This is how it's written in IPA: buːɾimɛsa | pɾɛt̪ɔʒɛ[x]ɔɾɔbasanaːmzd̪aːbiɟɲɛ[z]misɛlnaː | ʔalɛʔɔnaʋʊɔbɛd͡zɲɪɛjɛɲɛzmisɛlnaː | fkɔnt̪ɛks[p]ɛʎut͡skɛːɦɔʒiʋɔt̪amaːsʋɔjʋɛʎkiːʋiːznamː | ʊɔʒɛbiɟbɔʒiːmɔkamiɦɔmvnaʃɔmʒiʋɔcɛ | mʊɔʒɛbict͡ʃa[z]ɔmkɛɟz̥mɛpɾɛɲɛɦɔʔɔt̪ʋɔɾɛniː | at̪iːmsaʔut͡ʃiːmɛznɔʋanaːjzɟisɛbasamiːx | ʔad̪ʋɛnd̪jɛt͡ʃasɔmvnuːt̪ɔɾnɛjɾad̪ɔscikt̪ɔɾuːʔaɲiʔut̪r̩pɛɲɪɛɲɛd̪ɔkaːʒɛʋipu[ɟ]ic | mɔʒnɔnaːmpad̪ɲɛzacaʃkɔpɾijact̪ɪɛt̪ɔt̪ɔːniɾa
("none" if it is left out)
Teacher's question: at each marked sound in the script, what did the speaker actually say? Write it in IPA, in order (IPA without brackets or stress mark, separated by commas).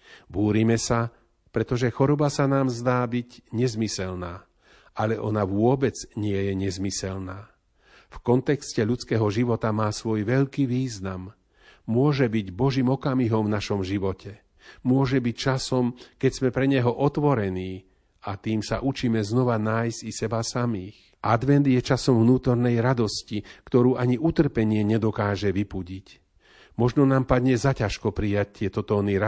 x, z, c, s, ɟ